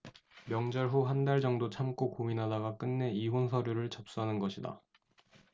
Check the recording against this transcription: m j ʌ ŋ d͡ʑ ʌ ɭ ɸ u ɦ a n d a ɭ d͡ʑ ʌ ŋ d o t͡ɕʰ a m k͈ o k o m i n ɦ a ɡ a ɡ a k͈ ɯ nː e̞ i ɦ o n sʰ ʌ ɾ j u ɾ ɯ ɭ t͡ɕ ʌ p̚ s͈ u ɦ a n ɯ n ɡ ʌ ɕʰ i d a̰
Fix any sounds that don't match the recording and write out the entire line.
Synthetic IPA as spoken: m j ʌ ŋ d͡ʑ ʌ ɭ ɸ u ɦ a n d a ɭ d͡ʑ ʌ ŋ d o t͡ɕʰ a m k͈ o k o m i n ɦ a d a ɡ a k͈ ɯ nː e̞ i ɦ o n sʰ ʌ ɾ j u ɾ ɯ ɭ t͡ɕ ʌ p̚ s͈ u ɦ a n ɯ n ɡ ʌ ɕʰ i d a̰